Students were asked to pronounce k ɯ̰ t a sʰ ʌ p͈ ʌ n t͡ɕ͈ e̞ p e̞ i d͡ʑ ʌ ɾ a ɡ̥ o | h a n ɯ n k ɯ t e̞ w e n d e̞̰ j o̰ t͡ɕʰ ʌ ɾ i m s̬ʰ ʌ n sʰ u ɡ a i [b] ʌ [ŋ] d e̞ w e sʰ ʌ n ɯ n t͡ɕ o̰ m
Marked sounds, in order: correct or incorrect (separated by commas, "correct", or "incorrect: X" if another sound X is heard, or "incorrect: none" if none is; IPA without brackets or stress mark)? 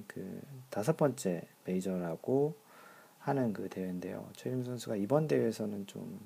correct, incorrect: n